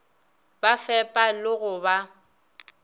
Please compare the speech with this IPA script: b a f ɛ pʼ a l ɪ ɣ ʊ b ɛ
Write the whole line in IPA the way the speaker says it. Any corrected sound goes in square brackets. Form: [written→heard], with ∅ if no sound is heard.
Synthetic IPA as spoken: b a f ɛ pʼ a l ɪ ɣ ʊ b [ɛ→a]